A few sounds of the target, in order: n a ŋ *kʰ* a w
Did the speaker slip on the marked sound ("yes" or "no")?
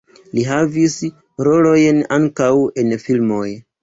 yes